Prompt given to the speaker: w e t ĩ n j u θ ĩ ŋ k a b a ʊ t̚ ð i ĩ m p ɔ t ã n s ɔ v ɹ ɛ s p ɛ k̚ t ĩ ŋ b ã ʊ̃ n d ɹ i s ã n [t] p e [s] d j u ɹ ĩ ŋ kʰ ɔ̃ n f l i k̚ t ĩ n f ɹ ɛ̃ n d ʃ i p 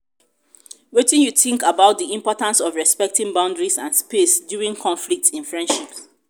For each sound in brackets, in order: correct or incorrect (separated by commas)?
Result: incorrect, correct